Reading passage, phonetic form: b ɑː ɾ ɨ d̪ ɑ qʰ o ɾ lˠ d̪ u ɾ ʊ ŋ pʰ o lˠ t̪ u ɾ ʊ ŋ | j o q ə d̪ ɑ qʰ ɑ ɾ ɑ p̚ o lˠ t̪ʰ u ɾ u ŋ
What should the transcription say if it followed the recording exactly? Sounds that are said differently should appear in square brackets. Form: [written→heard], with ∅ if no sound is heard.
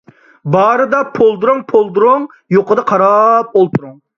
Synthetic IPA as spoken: b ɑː ɾ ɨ d̪ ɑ [qʰ→pʰ] o [ɾ→∅] lˠ d̪ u ɾ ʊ ŋ pʰ o lˠ [t̪→d̪] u ɾ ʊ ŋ | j o q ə d̪ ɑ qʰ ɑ ɾ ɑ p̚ o lˠ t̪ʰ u ɾ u ŋ